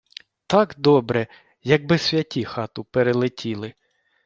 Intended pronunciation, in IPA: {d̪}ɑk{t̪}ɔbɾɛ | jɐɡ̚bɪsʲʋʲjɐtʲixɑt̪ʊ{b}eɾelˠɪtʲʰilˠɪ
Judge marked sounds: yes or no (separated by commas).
no, no, no